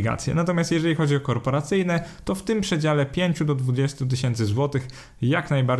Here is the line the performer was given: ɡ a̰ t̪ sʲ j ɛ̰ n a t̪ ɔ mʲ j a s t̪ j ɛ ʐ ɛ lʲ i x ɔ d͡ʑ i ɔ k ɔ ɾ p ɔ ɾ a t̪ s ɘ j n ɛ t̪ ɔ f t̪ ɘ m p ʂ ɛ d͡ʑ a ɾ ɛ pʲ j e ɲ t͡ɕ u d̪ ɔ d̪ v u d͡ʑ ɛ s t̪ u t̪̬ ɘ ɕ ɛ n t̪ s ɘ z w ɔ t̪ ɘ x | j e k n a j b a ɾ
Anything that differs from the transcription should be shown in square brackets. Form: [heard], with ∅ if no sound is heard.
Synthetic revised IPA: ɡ a̰ t̪ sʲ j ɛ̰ n a t̪ ɔ mʲ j a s t̪ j ɛ ʐ ɛ lʲ i x ɔ d͡ʑ i ɔ k ɔ ɾ p ɔ ɾ a t̪ s ɘ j n ɛ t̪ ɔ f t̪ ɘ m p ʂ ɛ d͡ʑ a [l] ɛ pʲ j e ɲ t͡ɕ u d̪ ɔ d̪ v u d͡ʑ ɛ s t̪ u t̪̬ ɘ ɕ ɛ n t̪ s ɘ z w ɔ t̪ ɘ x | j [a] k n a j b a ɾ